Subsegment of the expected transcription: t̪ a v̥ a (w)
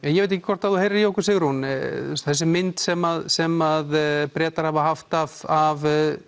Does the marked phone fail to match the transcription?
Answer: yes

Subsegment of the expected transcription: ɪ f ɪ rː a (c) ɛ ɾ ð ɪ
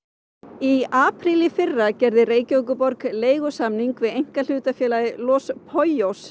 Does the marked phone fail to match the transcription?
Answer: no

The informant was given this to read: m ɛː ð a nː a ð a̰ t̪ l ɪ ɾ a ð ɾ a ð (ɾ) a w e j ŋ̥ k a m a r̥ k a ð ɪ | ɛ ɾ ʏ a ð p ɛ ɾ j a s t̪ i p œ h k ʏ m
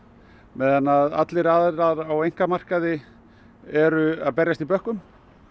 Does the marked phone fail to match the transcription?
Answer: no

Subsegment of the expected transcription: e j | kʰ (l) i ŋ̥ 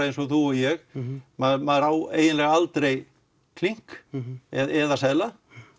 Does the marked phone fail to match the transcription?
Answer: no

